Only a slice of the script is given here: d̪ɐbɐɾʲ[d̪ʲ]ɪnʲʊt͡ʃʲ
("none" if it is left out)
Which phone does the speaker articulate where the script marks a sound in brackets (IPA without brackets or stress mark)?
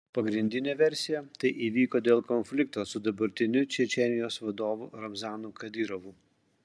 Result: t̪ʲ